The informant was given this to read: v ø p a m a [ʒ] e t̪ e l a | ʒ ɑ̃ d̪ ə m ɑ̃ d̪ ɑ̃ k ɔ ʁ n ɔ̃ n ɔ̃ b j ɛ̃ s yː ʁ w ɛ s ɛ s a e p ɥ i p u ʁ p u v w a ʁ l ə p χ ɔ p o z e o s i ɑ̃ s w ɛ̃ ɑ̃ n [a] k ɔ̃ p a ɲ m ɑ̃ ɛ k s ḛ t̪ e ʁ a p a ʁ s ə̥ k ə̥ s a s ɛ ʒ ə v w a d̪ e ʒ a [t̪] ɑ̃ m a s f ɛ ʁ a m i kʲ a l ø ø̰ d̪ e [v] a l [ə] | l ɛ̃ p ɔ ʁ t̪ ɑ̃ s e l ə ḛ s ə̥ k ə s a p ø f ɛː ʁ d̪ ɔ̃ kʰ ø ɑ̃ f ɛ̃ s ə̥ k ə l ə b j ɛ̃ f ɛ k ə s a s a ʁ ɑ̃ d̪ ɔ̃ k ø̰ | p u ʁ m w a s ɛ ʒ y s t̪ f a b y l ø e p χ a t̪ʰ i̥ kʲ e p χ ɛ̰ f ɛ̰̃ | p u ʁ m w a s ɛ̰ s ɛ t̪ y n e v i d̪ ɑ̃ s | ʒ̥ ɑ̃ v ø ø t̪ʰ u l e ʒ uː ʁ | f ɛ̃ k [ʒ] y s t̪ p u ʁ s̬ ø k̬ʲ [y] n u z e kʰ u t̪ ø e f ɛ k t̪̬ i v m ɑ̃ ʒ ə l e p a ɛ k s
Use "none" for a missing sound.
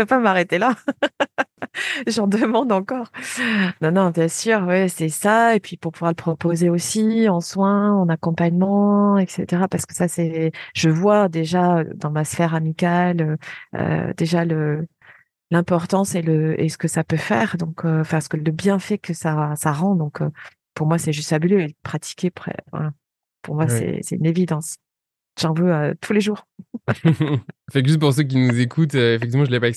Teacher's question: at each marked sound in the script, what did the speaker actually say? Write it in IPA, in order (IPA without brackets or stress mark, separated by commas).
ʁ, a, d̪, ʒ, ə, ʒ, i